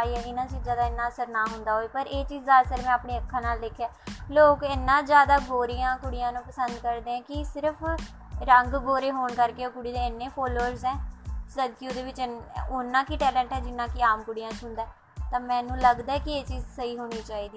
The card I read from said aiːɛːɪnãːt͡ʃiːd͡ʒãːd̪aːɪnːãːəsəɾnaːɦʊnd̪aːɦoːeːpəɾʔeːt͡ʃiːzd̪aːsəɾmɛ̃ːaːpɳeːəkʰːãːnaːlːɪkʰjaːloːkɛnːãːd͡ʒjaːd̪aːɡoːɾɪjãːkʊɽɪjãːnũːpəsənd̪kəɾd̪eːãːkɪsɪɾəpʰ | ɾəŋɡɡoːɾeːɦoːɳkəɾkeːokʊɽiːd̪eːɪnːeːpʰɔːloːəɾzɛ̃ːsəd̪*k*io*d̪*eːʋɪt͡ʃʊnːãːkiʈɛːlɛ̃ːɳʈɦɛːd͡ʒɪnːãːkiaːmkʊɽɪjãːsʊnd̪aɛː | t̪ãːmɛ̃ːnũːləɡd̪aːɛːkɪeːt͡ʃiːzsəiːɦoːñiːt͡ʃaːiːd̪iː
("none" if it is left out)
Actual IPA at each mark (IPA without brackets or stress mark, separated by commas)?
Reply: k, d̪